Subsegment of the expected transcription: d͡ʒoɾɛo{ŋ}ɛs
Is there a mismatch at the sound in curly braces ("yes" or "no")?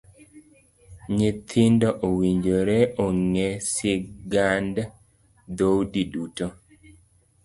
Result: no